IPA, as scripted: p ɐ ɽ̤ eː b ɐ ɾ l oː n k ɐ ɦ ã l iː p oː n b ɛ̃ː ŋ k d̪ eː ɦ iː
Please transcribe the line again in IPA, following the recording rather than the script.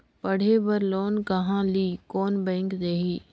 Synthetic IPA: p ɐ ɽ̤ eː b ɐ ɾ l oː n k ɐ ɦ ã l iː k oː n b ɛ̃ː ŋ k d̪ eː ɦ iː

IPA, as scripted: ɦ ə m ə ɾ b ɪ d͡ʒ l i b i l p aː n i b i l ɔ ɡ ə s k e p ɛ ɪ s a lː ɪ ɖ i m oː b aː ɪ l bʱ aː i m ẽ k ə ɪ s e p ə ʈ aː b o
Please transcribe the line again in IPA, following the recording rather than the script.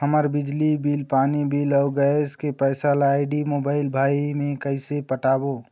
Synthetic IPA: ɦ ə m ə ɾ b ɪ d͡ʒ l i b i l p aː n i b i l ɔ ɡ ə s k e p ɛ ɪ s a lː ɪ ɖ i m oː b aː ɪ l bʱ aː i m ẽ k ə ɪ s e p ə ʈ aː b o

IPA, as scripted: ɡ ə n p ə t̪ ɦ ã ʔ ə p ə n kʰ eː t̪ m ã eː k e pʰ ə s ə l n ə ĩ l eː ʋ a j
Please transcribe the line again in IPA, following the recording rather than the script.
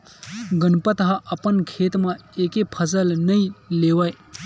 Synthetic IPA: ɡ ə n p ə t̪ ɦ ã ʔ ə p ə n kʰ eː t̪ m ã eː k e pʰ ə s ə l n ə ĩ l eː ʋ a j

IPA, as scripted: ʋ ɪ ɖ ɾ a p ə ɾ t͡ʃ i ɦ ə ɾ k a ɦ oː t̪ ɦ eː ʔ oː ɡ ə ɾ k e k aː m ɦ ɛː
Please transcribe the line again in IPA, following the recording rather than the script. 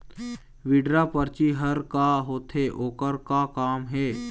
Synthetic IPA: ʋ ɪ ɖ ɾ a p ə ɾ t͡ʃ i ɦ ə ɾ k a ɦ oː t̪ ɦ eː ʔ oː k ə ɾ k a k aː m ɦ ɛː

